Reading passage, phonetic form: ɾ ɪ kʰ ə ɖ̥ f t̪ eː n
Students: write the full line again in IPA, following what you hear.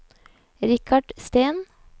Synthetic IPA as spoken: ɾ ɪ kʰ ɑ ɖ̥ s t̪ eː n